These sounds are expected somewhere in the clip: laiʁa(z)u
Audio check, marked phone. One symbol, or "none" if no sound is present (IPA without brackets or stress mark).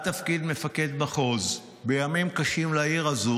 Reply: z